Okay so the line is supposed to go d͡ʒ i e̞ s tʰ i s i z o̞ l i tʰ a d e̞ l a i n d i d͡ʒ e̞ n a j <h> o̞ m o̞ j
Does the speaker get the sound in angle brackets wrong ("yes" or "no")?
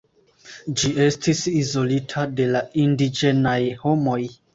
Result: no